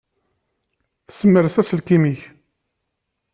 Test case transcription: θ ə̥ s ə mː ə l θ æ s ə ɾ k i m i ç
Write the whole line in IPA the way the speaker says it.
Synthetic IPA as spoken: θ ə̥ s ə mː ə ɾ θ æ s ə l k i m i ç